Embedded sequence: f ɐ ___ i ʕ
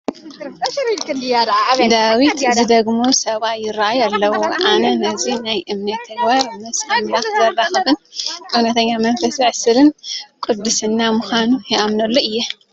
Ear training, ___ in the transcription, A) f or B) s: B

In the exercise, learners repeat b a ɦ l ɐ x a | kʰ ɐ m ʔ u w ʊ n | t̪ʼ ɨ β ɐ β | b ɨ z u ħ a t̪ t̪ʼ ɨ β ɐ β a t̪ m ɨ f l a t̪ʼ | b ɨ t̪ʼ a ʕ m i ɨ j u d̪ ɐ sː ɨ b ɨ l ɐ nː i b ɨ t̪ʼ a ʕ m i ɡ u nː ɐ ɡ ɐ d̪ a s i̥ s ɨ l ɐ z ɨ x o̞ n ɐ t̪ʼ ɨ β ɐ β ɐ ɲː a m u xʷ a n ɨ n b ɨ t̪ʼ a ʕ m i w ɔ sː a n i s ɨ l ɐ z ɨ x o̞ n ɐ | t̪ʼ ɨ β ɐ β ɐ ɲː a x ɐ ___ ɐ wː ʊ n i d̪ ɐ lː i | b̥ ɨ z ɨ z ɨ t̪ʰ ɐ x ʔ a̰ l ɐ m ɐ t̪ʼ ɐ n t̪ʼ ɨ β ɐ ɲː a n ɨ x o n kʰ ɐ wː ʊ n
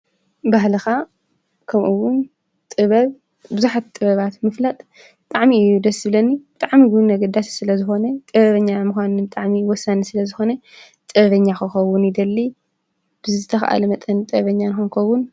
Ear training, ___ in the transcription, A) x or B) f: A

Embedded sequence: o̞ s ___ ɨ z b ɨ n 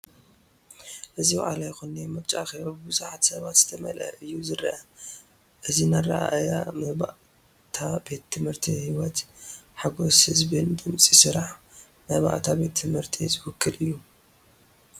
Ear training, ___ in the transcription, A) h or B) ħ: A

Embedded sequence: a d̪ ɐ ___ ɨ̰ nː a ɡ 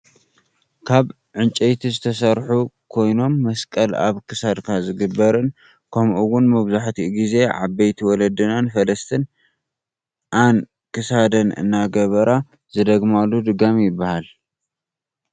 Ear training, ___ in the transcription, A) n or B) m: A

